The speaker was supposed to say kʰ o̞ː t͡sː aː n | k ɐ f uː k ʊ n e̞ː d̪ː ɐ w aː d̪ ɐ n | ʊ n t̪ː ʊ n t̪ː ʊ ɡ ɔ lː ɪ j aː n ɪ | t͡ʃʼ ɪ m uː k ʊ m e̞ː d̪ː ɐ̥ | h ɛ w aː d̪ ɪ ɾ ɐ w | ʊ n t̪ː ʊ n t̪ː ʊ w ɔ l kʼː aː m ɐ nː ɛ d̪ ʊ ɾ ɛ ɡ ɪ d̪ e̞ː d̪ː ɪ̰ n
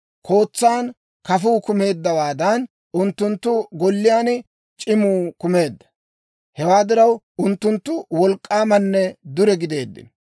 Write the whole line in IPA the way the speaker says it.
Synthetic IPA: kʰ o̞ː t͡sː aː n | k ɐ f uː k ʊ m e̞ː d̪ː ɐ w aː d̪ ɐ n | ʊ n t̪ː ʊ n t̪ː ʊ ɡ ɔ lː ɪ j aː n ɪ | t͡ʃʼ ɪ m uː k ʊ m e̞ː d̪ː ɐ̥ | h ɛ w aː d̪ ɪ ɾ ɐ w | ʊ n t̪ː ʊ n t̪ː ʊ w ɔ l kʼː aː m ɐ nː ɛ d̪ ʊ ɾ ɛ ɡ ɪ d̪ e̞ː d̪ː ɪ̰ n